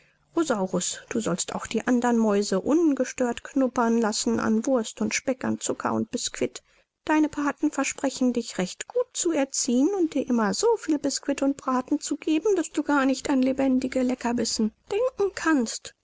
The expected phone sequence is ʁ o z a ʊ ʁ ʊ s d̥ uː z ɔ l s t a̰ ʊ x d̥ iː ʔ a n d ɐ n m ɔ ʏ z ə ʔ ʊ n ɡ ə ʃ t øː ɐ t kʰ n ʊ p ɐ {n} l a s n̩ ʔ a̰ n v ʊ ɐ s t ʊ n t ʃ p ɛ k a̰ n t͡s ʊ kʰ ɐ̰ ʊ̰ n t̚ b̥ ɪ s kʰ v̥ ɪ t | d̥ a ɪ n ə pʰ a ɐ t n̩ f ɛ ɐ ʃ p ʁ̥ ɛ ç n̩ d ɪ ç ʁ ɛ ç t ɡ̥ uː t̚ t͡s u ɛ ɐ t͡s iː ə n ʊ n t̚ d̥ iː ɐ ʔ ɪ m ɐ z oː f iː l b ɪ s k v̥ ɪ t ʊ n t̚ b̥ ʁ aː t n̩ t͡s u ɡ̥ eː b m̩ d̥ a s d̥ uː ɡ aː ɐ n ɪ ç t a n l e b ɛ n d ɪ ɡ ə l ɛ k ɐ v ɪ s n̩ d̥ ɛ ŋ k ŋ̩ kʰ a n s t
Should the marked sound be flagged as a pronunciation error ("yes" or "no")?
no